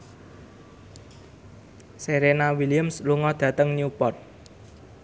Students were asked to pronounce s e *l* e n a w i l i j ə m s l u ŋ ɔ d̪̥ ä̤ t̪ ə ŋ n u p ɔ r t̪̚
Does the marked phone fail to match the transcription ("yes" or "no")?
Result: yes